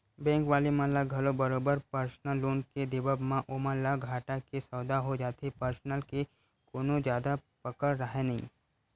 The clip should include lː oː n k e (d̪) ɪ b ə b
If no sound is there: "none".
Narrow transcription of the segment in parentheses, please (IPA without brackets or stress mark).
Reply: d̪